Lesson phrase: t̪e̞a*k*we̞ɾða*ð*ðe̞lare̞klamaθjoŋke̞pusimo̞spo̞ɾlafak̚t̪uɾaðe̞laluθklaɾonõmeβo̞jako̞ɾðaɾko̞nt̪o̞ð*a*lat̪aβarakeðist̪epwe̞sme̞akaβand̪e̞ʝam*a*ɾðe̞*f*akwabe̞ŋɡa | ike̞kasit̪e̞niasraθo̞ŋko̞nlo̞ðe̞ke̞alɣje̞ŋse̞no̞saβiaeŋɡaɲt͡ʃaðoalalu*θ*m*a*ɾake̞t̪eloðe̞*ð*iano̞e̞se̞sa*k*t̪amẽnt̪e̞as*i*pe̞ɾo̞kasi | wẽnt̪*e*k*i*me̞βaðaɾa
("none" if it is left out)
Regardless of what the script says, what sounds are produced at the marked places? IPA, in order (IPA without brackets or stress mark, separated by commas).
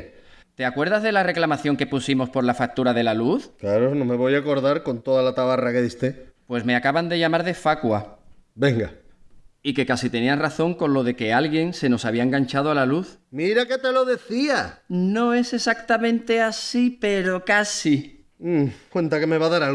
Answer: k, z, a, a, f, θ, i, θ, k, i, a, e